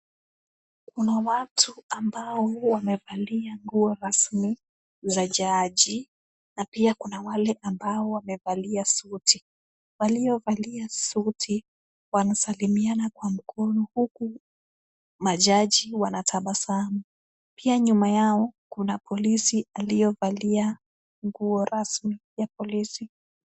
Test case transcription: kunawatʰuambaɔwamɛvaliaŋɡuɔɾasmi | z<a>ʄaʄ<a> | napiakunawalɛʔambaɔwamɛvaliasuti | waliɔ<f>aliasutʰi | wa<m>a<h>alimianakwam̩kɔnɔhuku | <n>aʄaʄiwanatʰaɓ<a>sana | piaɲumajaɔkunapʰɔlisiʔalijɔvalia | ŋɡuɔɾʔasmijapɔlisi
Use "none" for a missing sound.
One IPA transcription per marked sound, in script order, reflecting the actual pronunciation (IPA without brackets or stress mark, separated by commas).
a, i, v, n, s, m, a